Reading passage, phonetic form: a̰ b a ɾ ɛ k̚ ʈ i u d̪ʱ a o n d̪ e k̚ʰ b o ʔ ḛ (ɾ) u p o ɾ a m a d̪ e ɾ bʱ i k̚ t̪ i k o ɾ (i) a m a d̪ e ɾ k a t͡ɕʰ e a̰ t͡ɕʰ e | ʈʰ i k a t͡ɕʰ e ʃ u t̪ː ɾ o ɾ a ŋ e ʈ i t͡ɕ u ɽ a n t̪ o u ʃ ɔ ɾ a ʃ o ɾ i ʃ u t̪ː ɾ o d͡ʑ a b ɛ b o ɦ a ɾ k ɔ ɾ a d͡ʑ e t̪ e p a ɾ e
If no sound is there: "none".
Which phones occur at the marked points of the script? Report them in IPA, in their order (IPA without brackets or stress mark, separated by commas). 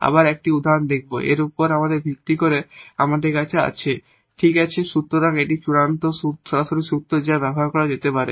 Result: ɾ, e